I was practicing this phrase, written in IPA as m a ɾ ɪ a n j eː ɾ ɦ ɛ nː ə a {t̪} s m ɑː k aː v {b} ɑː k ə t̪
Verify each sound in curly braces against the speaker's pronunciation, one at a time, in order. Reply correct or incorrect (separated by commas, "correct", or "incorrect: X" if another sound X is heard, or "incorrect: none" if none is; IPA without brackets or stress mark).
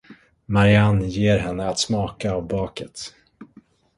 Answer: correct, correct